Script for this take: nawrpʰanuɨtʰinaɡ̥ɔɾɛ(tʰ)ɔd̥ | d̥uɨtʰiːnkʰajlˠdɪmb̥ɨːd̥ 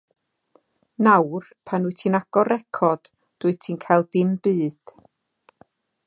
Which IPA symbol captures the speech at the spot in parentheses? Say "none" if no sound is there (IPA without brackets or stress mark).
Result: kʰ